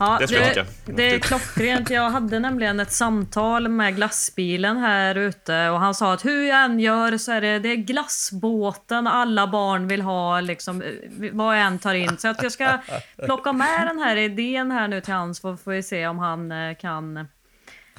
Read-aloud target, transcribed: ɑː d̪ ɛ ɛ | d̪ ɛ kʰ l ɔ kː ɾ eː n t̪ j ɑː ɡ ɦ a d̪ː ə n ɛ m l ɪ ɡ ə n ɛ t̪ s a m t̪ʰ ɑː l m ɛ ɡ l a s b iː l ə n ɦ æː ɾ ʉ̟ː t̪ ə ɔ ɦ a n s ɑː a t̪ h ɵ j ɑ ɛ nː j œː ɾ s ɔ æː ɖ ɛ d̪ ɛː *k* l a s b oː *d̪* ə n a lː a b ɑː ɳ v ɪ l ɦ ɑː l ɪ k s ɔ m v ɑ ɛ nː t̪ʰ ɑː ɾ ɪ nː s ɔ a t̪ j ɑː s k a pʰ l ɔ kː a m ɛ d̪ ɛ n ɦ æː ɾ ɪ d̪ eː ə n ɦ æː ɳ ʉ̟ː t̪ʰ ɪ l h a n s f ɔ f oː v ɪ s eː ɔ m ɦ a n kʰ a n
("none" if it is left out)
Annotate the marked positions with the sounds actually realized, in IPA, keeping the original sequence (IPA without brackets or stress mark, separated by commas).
ɡ, t̪